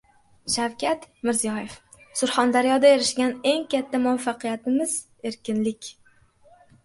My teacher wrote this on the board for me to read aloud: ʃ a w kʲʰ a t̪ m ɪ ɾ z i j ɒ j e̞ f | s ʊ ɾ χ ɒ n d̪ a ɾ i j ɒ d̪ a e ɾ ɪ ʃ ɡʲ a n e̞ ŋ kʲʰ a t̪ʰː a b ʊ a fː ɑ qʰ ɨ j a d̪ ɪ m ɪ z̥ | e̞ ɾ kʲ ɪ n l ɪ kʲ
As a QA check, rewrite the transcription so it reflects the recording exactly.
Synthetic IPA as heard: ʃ a w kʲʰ a t̪ m ɪ ɾ z i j ɒ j e̞ f | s ʊ ɾ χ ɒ n d̪ a ɾ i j ɒ d̪ a e ɾ ɪ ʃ ɡʲ a n e̞ ŋ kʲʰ a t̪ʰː a m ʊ a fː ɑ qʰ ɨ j a t̪ ɪ m ɪ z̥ | e̞ ɾ kʲ ɪ n l ɪ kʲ